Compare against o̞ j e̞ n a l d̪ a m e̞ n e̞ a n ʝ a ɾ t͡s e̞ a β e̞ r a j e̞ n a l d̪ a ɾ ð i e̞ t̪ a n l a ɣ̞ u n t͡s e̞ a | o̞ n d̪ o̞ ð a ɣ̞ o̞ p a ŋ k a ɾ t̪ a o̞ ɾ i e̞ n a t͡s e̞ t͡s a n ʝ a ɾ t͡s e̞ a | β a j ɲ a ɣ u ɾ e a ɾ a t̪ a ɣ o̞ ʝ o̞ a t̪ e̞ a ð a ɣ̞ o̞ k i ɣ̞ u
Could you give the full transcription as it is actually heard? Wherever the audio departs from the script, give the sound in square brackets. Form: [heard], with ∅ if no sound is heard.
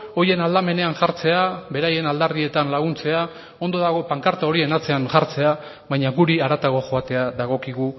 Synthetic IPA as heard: o̞ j e̞ n a l d̪ a m e̞ n e̞ a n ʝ a ɾ t͡s e̞ a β e̞ [ɾ] a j e̞ n a l d̪ a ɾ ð i e̞ t̪ a n l a ɣ̞ u n t͡s e̞ a | o̞ n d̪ o̞ ð a ɣ̞ o̞ p a ŋ k a ɾ t̪ a o̞ ɾ i e̞ n a t͡s e̞ [∅] a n ʝ a ɾ t͡s e̞ a | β a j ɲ a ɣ u ɾ [i] a ɾ a t̪ a ɣ o̞ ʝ o̞ a t̪ e̞ a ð a ɣ̞ o̞ k i ɣ̞ u